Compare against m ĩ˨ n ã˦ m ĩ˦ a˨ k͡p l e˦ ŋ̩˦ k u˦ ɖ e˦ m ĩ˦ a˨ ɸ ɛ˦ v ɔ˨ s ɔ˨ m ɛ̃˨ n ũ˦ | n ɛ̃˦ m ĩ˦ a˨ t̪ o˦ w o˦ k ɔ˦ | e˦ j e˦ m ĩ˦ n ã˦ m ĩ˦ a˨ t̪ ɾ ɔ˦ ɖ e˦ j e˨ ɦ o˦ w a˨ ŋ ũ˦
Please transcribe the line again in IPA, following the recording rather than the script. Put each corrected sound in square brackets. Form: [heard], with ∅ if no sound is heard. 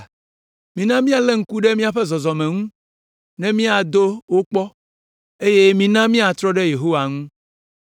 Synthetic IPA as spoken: m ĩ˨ n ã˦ m ĩ˦ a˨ [∅] l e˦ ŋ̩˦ k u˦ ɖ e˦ m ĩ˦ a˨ ɸ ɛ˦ [z] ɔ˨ [z] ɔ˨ m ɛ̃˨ [ŋ] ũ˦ | n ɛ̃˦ m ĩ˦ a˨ [d̪] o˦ w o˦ [k͡p] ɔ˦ | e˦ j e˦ m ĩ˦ n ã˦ m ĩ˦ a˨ t̪ ɾ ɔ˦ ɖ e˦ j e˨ ɦ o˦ w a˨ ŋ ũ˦